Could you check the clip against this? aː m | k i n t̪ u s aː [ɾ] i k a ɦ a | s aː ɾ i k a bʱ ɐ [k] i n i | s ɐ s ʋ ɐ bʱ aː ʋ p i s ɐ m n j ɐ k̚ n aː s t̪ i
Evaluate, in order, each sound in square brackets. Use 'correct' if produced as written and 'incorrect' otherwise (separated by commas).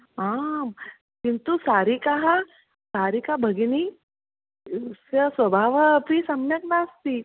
correct, incorrect